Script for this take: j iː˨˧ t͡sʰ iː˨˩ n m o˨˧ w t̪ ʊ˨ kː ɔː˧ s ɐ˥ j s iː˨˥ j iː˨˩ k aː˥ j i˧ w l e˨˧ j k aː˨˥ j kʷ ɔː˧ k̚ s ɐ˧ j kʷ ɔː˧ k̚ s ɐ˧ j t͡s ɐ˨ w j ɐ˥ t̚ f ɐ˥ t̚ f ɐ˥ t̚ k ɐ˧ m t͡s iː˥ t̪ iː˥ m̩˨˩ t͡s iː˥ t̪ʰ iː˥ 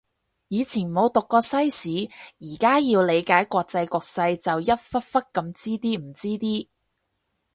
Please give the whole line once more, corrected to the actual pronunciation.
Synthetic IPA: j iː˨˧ t͡sʰ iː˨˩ n m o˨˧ w t̪ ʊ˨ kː ɔː˧ s ɐ˥ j s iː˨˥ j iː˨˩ k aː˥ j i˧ w l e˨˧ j k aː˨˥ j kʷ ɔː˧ k̚ t͡s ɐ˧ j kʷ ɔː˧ k̚ s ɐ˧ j t͡s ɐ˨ w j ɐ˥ t̚ f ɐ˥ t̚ f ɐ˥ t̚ k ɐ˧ m t͡s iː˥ t̪ iː˥ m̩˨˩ t͡s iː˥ t̪ iː˥